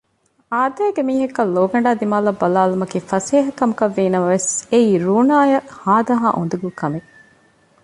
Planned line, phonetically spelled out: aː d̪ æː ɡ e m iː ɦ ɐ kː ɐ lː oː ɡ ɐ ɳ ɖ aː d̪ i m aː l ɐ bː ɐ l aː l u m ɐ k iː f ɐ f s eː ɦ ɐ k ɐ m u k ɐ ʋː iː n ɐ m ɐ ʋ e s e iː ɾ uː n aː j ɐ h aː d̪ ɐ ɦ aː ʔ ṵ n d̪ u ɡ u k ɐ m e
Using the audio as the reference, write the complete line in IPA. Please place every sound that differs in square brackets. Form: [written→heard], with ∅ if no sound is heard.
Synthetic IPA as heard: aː d̪ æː ɡ e m iː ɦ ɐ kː ɐ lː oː ɡ ɐ ɳ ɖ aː d̪ i m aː l ɐ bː ɐ l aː l u m ɐ k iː f ɐ [f→∅] s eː ɦ ɐ k ɐ m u k ɐ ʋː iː n ɐ m ɐ ʋ e s e iː ɾ uː n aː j ɐ h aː d̪ ɐ ɦ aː ʔ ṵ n d̪ u ɡ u k ɐ m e

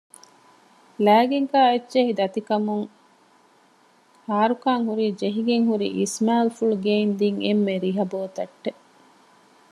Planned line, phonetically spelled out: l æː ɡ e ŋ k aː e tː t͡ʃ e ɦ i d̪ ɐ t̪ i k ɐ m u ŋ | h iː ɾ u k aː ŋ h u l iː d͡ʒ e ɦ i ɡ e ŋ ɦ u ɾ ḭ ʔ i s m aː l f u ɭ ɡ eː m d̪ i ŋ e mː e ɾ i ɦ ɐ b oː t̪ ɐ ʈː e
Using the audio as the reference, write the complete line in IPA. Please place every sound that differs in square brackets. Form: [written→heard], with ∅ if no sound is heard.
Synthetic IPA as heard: l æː ɡ e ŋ k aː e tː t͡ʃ e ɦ i d̪ ɐ t̪ i k ɐ m u ŋ | h [iː→aː] ɾ u k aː ŋ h u [l→ɾ] iː d͡ʒ e ɦ i ɡ e ŋ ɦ u ɾ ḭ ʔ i s m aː l f u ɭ ɡ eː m d̪ i ŋ e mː e ɾ i ɦ ɐ b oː t̪ ɐ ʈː e

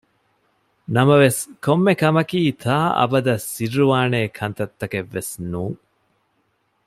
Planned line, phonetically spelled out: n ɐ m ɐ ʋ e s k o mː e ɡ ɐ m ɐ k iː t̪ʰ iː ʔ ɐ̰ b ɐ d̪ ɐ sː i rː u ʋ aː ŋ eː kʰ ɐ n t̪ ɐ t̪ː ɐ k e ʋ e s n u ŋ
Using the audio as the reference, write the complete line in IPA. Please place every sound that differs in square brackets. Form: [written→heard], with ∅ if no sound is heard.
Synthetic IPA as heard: n ɐ m ɐ ʋ e s k o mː e [ɡ→k] ɐ m ɐ k iː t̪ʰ [iː→aː] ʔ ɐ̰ b ɐ d̪ ɐ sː i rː u ʋ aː [ŋ→n] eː kʰ ɐ n t̪ ɐ t̪ː ɐ k e [ʋ→ʋː] e s n [u→uː] ŋ

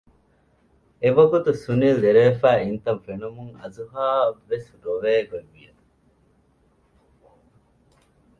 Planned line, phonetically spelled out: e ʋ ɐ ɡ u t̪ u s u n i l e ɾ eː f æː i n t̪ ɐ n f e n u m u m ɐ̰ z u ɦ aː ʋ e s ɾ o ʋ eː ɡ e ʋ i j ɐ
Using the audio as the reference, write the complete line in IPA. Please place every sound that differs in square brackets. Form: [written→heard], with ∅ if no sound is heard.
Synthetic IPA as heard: e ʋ ɐ ɡ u t̪ u s u n i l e ɾ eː f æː i n t̪ ɐ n f e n u m u [m→ŋ] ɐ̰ z u ɦ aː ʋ e s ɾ o ʋ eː ɡ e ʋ i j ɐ

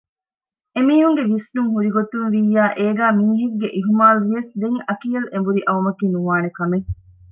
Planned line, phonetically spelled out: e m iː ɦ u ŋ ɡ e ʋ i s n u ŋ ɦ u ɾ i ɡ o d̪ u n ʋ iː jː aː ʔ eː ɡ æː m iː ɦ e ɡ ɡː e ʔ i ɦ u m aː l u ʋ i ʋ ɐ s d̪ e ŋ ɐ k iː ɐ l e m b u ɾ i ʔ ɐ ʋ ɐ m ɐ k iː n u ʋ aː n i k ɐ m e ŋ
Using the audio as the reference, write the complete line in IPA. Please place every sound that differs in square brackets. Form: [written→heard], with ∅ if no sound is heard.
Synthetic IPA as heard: e m iː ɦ u ŋ ɡ e ʋ i s n u ŋ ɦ u ɾ i ɡ o [d̪→t̪] u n ʋ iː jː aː ʔ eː ɡ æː m iː ɦ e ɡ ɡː e ʔ i ɦ u m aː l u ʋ i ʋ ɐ s d̪ e ŋ ɐ k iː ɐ l e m b u ɾ i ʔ ɐ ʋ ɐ m ɐ k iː n u ʋ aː n [i→e] k ɐ m e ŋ

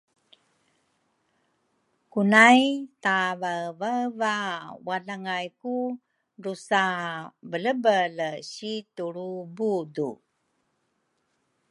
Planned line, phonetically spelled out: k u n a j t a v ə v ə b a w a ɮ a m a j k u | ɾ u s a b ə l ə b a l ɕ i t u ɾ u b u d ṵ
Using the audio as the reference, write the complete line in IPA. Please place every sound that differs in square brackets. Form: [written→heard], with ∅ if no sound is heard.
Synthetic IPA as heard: k u n a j t a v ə v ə [b→v] a w a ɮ a [m→ŋ] a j k u | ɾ u s a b ə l ə b [a→ə] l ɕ i t u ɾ u b u d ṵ

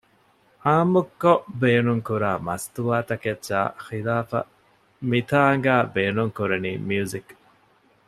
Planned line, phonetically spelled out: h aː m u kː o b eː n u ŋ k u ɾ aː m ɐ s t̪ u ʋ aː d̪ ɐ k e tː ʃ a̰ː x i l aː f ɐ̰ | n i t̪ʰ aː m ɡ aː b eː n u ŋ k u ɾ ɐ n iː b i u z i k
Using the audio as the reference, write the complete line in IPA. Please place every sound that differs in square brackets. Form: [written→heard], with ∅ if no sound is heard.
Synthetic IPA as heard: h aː m u kː o b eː n u ŋ k u ɾ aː m ɐ s t̪ u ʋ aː [d̪→t̪] ɐ k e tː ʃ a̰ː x i l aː f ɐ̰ | [n→m] i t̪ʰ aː [m→ŋ] ɡ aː b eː n u ŋ k u ɾ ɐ n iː [b→m] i u z i k

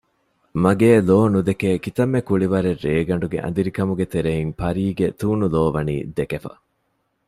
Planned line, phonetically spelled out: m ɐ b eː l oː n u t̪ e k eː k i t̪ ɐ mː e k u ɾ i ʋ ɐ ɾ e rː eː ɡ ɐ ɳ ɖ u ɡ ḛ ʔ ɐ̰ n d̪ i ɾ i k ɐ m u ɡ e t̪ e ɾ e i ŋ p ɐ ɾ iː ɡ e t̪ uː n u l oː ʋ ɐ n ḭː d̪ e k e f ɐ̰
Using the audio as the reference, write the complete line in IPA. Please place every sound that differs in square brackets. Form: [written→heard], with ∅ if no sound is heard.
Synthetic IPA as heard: m ɐ [b→ɡ] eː l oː n u [t̪→d̪] e k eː k i t̪ ɐ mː e k u [ɾ→ɭ] i ʋ ɐ ɾ e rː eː ɡ ɐ ɳ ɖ u ɡ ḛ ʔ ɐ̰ n d̪ i ɾ i k ɐ m u ɡ e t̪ e ɾ e i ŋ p ɐ ɾ iː ɡ e t̪ uː n u l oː ʋ ɐ n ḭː d̪ e k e f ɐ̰

